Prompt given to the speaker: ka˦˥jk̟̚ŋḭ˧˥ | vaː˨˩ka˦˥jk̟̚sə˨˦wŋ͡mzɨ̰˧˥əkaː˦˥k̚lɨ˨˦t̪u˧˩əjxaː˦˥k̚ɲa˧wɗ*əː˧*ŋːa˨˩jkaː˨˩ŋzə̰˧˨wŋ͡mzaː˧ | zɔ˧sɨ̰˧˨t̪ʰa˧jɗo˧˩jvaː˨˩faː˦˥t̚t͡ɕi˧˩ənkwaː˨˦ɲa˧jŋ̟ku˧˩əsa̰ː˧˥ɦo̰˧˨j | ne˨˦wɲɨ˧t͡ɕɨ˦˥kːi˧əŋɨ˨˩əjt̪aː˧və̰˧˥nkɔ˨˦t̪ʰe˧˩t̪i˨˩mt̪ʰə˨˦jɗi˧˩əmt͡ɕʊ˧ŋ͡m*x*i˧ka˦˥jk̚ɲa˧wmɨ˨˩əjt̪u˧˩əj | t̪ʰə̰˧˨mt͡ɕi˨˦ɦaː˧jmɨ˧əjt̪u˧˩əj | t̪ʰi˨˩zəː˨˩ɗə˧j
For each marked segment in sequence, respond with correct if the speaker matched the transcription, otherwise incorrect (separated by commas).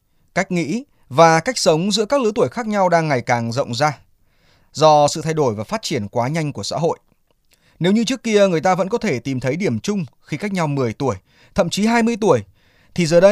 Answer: incorrect, correct